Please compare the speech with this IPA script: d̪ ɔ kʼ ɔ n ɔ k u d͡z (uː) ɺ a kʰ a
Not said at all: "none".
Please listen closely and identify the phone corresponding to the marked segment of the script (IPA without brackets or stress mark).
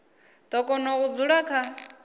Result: u